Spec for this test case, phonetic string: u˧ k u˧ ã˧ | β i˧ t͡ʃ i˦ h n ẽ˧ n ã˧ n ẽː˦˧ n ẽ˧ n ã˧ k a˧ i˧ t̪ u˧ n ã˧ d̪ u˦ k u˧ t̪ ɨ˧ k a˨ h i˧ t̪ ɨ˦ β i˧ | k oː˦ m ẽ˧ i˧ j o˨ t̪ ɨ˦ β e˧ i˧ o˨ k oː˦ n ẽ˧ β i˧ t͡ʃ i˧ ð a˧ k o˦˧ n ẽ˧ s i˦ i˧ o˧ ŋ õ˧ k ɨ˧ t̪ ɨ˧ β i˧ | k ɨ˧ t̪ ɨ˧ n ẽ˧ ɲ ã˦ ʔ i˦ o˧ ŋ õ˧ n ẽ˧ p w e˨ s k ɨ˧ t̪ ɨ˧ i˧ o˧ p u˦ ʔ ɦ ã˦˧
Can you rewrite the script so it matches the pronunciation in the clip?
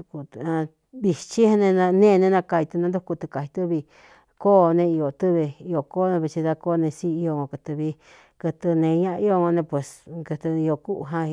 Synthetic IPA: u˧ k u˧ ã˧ | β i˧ t͡ʃ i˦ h n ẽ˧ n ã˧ n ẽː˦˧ n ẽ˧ n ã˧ k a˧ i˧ t̪ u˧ n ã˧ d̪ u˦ k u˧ t̪ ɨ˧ k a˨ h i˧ t̪ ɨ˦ β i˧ | k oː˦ n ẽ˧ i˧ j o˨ t̪ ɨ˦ β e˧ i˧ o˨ k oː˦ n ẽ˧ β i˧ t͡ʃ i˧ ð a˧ k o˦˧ n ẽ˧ s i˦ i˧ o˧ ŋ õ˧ k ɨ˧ t̪ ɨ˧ β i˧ | k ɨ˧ t̪ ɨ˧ n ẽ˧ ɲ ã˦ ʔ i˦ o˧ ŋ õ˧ n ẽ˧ p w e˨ s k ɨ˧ t̪ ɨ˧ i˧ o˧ k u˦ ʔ ɦ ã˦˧

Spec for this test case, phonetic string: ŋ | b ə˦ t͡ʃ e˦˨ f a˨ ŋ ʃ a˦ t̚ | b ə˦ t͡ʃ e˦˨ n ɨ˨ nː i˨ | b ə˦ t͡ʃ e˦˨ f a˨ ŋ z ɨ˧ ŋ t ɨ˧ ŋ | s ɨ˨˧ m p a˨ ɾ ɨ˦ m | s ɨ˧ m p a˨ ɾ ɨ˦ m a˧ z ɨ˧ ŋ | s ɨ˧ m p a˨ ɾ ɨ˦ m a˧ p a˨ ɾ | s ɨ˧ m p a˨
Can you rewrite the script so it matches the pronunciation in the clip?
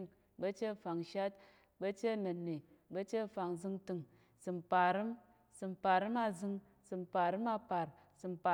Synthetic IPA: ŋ | b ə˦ t͡ʃ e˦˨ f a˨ ŋ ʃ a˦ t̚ | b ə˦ t͡ʃ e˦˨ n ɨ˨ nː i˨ | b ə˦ t͡ʃ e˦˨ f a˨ ŋ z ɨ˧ ŋ t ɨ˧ ŋ | s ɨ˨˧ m p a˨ ɾ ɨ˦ m | s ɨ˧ m p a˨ ɾ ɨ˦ m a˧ z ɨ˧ ŋ | s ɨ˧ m p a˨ ɾ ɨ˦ m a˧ p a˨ ɾ | s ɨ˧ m p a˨

